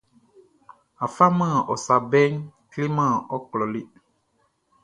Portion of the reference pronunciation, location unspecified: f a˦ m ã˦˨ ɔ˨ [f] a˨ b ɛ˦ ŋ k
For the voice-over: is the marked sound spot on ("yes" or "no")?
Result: no